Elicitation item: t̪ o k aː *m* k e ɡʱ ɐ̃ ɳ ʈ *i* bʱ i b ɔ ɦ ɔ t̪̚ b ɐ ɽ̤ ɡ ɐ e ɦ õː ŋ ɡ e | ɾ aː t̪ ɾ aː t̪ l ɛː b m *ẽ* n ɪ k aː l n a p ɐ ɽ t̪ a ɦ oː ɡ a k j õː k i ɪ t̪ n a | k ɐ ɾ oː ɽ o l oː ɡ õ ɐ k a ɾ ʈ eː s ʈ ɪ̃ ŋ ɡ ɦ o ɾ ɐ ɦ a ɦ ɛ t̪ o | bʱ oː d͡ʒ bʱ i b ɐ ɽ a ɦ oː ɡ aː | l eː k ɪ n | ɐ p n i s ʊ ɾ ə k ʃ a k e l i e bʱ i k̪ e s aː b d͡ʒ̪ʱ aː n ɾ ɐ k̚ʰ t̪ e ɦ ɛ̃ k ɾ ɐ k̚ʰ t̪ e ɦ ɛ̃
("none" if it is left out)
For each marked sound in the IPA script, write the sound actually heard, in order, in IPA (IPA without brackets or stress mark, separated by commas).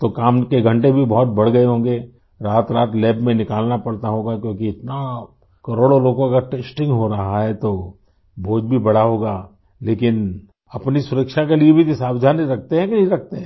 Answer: m, e, ẽ